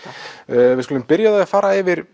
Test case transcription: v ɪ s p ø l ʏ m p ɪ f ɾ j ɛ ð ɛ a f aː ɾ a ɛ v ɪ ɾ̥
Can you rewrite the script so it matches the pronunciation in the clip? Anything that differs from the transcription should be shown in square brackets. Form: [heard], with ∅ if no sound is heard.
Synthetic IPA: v ɪ s [k] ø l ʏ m p ɪ [∅] ɾ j [a] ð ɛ a f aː ɾ a ɛ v ɪ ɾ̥